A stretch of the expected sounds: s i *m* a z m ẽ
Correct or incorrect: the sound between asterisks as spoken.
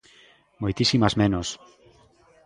correct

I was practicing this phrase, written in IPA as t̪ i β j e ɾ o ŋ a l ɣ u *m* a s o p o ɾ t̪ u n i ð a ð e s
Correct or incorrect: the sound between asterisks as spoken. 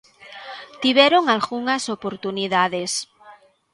incorrect: ŋ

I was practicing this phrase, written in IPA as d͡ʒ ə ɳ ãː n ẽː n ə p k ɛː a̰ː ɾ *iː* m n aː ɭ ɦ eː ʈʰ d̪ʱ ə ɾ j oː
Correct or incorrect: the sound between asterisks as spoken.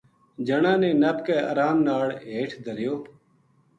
incorrect: aː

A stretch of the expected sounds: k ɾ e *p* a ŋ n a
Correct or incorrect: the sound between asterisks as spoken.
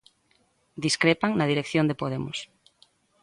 correct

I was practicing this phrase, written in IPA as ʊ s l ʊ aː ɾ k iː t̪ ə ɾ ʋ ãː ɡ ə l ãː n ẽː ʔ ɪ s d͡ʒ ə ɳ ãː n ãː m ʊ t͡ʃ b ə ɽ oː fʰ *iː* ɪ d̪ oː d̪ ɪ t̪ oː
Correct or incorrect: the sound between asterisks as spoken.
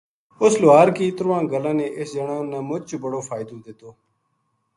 incorrect: aː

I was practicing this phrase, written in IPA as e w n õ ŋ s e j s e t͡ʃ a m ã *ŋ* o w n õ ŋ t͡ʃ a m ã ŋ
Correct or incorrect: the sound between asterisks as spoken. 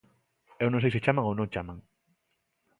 correct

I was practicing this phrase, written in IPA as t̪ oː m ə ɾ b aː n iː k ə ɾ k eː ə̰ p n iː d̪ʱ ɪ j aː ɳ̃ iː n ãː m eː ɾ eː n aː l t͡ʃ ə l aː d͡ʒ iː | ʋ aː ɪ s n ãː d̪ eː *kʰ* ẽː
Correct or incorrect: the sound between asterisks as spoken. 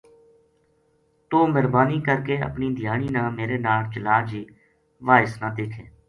correct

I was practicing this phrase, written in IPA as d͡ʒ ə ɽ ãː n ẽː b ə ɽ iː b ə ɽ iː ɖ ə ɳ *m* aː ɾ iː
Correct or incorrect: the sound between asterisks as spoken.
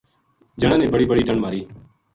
correct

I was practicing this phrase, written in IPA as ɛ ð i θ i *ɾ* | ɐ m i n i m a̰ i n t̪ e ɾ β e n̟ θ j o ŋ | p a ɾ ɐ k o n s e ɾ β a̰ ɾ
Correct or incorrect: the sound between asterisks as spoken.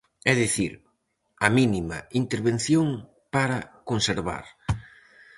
correct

